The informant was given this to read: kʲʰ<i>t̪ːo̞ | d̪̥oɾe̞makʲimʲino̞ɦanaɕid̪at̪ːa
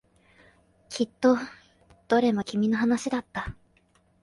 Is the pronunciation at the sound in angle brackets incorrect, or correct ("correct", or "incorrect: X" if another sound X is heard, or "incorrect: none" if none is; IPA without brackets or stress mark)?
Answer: correct